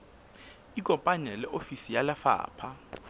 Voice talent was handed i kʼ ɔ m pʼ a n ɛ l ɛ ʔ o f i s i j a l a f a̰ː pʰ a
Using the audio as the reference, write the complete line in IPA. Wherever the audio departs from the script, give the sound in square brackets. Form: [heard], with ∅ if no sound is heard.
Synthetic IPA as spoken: i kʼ ɔ m pʼ a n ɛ l ɛ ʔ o f i s i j a l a f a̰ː pʰ a